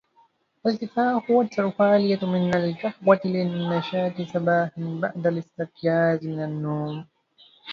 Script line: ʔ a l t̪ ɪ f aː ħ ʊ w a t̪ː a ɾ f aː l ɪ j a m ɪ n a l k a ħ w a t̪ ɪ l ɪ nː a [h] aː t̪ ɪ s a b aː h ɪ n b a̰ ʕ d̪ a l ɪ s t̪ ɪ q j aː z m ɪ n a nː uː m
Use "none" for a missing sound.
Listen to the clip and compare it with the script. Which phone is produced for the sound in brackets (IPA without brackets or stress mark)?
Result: ʃ